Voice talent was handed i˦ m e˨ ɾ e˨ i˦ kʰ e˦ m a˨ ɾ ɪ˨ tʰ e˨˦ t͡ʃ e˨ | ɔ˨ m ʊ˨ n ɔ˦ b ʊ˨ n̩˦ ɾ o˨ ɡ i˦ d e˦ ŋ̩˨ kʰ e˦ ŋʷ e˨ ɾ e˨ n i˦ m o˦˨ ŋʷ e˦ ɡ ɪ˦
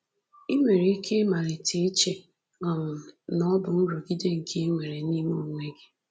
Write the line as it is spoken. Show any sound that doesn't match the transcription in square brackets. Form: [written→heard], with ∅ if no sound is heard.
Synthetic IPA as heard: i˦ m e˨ ɾ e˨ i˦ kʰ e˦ m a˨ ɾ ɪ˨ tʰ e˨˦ t͡ʃ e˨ | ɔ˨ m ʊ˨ n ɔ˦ b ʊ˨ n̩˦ ɾ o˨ ɡ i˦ d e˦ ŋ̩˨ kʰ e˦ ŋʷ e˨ ɾ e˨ n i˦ m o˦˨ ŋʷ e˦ ɡ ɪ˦